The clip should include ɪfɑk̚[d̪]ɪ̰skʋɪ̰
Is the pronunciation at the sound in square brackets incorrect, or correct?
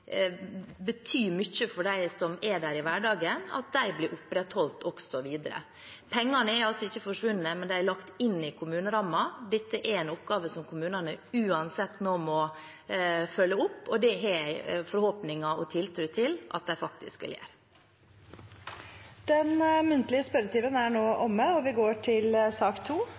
incorrect